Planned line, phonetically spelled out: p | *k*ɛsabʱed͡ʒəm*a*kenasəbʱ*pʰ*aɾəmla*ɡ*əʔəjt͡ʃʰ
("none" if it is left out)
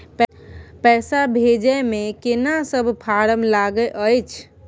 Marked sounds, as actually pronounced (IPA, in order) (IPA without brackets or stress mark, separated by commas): p, e, pʰ, ɡ